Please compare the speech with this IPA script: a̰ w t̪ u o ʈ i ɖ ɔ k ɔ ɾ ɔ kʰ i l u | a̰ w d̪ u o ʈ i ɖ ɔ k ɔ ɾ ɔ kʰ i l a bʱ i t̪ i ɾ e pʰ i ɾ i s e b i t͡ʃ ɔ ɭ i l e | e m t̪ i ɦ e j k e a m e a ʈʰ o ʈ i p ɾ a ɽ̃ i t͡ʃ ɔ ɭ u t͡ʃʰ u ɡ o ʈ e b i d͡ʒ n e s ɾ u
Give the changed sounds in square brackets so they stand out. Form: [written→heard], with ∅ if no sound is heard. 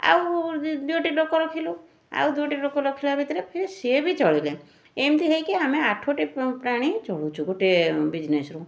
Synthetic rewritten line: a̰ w [t̪→d̪] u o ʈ i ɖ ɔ k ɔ ɾ ɔ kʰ i l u | a̰ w d̪ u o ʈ i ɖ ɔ k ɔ ɾ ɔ kʰ i l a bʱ i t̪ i ɾ e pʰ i ɾ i s e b i t͡ʃ ɔ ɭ i l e | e m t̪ i ɦ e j k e a m e a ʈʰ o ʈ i p ɾ a ɽ̃ i t͡ʃ ɔ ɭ u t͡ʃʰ u ɡ o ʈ e b i d͡ʒ n e s ɾ u